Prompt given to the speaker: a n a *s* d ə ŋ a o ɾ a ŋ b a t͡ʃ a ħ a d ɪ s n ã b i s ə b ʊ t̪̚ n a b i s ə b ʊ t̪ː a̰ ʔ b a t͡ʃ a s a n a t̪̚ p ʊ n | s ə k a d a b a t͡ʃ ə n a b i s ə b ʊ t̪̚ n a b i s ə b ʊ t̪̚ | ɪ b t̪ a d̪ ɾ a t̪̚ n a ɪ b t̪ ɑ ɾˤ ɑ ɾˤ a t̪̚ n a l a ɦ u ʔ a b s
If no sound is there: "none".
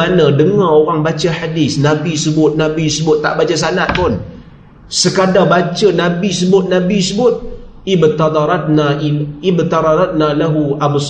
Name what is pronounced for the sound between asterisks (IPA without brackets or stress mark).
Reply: none